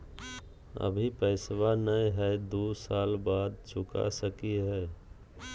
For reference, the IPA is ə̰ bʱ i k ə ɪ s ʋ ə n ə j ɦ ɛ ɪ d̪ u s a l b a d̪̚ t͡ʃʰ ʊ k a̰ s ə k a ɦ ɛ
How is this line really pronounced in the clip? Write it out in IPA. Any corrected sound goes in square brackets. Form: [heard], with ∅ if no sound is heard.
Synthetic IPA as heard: ə̰ bʱ i [p] ə ɪ s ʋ [a] n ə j ɦ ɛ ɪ d̪ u s a l b a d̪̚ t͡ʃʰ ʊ k a̰ s ə k [i] ɦ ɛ